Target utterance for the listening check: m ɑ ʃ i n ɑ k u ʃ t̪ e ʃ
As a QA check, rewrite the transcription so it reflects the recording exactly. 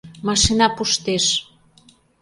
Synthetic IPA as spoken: m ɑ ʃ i n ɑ p u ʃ t̪ e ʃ